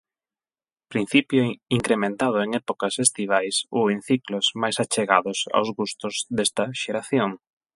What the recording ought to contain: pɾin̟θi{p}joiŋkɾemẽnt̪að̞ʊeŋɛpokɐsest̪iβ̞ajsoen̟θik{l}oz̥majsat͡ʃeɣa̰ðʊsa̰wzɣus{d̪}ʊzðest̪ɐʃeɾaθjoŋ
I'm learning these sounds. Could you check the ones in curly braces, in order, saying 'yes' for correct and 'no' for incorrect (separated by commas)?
yes, yes, no